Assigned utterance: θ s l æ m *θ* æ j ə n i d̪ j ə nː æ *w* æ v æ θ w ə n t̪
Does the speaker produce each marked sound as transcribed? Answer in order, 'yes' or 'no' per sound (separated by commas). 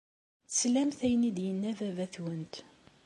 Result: yes, no